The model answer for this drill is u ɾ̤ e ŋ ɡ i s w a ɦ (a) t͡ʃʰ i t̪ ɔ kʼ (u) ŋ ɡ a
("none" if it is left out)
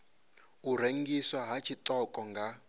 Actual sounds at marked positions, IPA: a, ɔ

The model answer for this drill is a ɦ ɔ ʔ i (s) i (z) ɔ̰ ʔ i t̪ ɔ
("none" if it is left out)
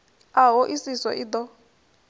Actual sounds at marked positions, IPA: s, s

